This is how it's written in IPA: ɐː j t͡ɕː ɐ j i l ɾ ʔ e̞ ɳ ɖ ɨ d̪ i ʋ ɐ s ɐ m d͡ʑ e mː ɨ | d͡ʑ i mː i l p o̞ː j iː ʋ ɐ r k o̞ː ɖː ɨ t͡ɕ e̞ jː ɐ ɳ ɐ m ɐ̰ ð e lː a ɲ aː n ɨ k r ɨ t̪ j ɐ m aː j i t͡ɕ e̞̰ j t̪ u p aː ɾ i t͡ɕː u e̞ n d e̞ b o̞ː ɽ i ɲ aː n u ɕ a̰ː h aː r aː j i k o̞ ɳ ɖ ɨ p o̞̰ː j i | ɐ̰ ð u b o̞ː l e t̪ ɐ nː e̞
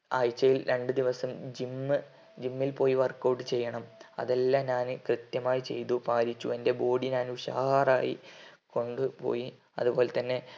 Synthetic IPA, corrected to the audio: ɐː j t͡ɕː ɐ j i l ɾ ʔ e̞ ɳ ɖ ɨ d̪ i ʋ ɐ s ɐ m d͡ʑ i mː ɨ | d͡ʑ i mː i l p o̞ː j i ʋ ɐ r k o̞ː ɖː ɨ t͡ɕ e̞ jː ɐ ɳ ɐ m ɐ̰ ð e lː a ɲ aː n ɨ k r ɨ t̪ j ɐ m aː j i t͡ɕ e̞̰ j t̪ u p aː ɾ i t͡ɕː u e̞ n d e̞ b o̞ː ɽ i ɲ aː n u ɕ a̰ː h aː r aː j i k o̞ ɳ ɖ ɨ p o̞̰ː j i | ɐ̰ ð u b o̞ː l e t̪ ɐ nː e̞

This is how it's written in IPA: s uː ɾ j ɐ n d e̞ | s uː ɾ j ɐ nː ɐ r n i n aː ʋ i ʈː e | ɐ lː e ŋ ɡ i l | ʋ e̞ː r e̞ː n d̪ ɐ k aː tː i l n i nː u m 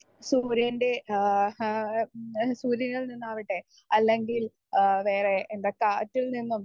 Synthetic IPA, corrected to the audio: s uː ɾ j ɐ n d e̞ | s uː ɾ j ɐ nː ɐ ɭ n i nː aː ʋ i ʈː e | ɐ lː e ŋ ɡ i l | ʋ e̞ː r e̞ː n d̪ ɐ k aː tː i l n i nː u m

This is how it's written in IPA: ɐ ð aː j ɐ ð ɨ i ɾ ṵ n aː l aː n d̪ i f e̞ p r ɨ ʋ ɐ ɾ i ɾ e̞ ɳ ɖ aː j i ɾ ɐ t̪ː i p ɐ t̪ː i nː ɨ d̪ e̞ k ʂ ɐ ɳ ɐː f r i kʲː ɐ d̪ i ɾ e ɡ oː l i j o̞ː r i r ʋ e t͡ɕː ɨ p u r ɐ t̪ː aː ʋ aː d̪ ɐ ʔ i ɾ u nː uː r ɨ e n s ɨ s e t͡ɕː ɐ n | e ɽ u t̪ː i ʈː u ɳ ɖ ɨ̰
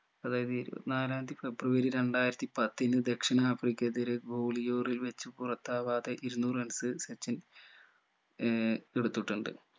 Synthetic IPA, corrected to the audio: ɐ ð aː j ɐ ð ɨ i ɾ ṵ n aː l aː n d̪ i f e̞ b r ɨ ʋ ɐ ɾ i ɾ e̞ ɳ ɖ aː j i ɾ ɐ t̪ː i p ɐ t̪ː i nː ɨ d̪ e̞ k ʂ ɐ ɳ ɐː f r i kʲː ɐ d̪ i ɾ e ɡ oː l i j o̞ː r i l ʋ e t͡ɕː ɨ p u r ɐ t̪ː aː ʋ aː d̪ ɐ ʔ i ɾ u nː uː r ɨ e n s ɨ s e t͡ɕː ɐ n | e ɽ u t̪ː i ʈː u ɳ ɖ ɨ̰

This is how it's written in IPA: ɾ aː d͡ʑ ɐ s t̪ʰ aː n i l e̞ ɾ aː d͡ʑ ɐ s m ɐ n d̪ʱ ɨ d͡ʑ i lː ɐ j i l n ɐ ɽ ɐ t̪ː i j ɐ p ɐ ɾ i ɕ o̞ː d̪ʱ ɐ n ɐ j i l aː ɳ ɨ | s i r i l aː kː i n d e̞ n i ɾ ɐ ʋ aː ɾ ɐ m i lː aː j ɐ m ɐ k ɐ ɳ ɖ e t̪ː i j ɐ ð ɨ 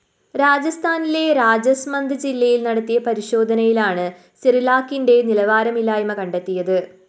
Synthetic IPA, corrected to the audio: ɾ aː d͡ʑ ɐ s t̪ʰ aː n i l e̞ ɾ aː d͡ʑ ɐ s m ɐ n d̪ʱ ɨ d͡ʑ i lː ɐ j i l n ɐ ɽ ɐ t̪ː i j ɐ p ɐ ɾ i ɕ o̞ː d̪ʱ ɐ n ɐ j i l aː ɳ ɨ | s i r i l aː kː i n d e̞ n i l ɐ ʋ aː ɾ ɐ m i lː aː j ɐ m ɐ k ɐ ɳ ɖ e t̪ː i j ɐ ð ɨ

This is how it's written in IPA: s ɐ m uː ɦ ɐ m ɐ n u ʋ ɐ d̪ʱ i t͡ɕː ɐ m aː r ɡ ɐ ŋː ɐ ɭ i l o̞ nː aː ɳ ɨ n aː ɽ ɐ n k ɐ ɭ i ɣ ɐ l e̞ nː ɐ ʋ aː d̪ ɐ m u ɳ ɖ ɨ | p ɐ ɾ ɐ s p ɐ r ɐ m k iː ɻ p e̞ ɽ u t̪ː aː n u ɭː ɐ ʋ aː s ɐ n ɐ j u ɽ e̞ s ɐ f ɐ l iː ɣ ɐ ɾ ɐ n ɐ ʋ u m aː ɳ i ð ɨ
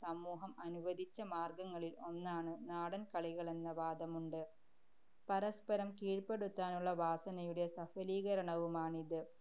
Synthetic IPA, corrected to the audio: s ɐ m uː ɦ ɐ m ɐ n u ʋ ɐ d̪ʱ i t͡ɕː ɐ m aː r ɡ ɐ ŋː ɐ ɭ i l o̞ nː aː ɳ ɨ n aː ɽ ɐ n k ɐ ɭ i ɣ ɐ ɭ e̞ nː ɐ ʋ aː d̪ ɐ m u ɳ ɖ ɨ | p ɐ ɾ ɐ s p ɐ ɾ ɐ m k iː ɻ p e̞ ɽ u t̪ː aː n u ɭː ɐ ʋ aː s ɐ n ɐ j u ɽ e̞ s ɐ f ɐ l iː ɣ ɐ ɾ ɐ ɳ ɐ ʋ u m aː ɳ i ð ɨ

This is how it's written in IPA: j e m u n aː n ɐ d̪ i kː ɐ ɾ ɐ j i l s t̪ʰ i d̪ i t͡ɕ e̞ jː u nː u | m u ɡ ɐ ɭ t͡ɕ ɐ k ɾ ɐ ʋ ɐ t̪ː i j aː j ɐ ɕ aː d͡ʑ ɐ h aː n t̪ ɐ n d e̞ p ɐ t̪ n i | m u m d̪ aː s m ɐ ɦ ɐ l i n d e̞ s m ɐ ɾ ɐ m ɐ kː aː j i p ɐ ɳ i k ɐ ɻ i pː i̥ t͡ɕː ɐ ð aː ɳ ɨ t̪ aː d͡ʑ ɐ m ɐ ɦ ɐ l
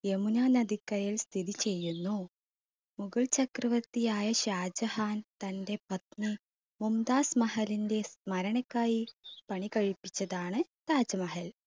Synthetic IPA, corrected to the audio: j e m u n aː n ɐ d̪ i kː ɐ ɾ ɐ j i l s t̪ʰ i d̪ i t͡ɕ e̞ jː u nː u | m u ɡ ɐ ɭ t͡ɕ ɐ k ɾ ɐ ʋ ɐ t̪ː i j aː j ɐ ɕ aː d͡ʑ ɐ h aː n t̪ ɐ n d e̞ p ɐ t̪ n i | m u m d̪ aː s m ɐ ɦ ɐ l i n d e̞ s m ɐ ɾ ɐ ɳ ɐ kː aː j i p ɐ ɳ i k ɐ ɻ i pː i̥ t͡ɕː ɐ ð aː ɳ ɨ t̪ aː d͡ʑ ɐ m ɐ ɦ ɐ l

